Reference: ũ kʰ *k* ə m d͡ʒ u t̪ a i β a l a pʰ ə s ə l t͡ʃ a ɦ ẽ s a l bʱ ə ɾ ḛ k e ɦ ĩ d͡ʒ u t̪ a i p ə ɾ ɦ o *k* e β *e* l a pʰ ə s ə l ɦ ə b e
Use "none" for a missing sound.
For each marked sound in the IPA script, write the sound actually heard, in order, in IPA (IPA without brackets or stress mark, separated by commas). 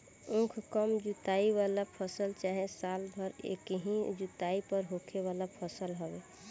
k, kʰ, a